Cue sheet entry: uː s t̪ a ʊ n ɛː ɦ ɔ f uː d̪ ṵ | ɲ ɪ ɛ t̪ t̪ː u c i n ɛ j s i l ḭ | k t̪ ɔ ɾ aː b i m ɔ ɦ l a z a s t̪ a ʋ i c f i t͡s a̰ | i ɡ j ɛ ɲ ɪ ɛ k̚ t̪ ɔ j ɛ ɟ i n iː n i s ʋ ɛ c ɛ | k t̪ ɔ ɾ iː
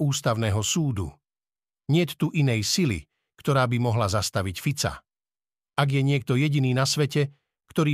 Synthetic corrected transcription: uː s t̪ a ʊ n ɛː ɦ ɔ s uː d̪ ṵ | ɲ ɪ ɛ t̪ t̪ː u ʔ i n ɛ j s i l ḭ | k t̪ ɔ ɾ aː b i m ɔ ɦ l a z a s t̪ a ʋ i c f i t͡s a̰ | a ɡ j ɛ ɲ ɪ ɛ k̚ t̪ ɔ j ɛ ɟ i n iː n a s ʋ ɛ c ɛ | k t̪ ɔ ɾ iː